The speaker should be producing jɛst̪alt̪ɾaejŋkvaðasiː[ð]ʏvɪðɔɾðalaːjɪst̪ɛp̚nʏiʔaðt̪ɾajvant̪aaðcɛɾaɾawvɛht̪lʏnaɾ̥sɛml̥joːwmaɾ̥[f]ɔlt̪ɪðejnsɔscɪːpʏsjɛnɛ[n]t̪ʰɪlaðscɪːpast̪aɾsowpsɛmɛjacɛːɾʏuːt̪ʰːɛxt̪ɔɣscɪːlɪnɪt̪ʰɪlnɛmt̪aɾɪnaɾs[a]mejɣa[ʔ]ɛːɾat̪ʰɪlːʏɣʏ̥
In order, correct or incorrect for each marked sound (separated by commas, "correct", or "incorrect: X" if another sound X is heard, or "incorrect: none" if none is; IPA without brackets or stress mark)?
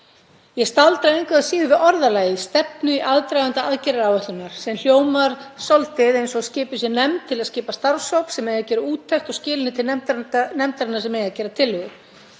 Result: correct, incorrect: s, incorrect: m, incorrect: ɛ, incorrect: c